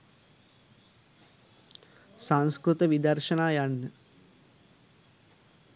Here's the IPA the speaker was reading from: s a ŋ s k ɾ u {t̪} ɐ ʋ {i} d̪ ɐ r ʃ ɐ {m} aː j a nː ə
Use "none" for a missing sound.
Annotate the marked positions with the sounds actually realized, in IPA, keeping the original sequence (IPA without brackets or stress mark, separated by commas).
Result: t̪, i, n